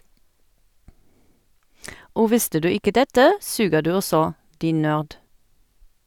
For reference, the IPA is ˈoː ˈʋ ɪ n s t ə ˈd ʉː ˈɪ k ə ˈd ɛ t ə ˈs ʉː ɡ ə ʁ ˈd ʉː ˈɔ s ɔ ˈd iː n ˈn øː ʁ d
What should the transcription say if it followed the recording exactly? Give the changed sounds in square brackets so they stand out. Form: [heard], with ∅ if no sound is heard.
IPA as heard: ˈoː ˈʋ ɪ [∅] s t ə ˈd ʉː ˈɪ k ə ˈd ɛ t ə ˈs ʉː ɡ ə ʁ ˈd ʉː ˈɔ s ɔ ˈd iː n ˈn øː ʁ d